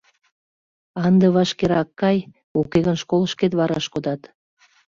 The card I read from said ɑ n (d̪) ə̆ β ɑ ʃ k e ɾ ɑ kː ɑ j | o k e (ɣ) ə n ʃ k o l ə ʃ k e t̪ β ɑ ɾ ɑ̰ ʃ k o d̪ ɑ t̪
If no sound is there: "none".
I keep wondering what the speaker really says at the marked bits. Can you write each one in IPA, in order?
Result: d̪, ɣ

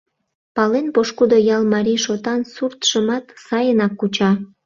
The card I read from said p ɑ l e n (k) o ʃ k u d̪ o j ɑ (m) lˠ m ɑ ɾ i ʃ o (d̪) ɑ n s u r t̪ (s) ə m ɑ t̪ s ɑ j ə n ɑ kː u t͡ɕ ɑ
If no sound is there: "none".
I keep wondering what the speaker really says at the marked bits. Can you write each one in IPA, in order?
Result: p, none, t̪, ʃ

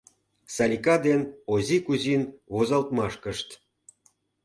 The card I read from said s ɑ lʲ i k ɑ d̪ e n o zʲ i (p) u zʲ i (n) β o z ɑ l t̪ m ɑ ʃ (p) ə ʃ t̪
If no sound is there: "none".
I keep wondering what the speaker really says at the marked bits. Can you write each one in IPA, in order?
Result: k, n, k

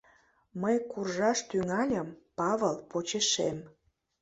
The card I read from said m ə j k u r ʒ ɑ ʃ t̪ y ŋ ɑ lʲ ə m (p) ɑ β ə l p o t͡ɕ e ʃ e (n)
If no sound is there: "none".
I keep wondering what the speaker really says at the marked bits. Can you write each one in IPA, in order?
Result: p, m

